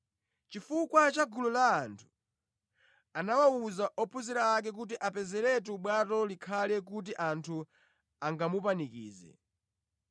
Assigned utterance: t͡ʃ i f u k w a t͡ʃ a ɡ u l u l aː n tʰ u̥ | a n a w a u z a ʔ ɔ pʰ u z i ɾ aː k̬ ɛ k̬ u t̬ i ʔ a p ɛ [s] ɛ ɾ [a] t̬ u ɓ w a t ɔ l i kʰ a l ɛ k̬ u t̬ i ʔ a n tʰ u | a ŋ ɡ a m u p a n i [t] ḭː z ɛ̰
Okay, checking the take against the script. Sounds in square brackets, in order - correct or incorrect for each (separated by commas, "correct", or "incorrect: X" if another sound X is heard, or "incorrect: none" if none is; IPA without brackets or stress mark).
incorrect: z, incorrect: ɛ, incorrect: k